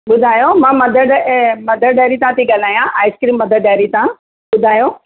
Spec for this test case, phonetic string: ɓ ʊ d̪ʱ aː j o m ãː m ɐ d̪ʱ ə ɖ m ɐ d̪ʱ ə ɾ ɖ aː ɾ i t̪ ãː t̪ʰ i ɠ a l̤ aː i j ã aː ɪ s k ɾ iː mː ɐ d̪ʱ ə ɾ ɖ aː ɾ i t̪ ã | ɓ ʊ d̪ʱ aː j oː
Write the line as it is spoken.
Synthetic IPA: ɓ ʊ d̪ʱ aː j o m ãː m ɐ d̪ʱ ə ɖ m ɐ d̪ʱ ə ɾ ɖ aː ɾ i t̪ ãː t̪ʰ i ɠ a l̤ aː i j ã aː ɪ s k ɾ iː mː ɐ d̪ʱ ə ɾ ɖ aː ɾ i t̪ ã | ɓ ʊ d̪ʱ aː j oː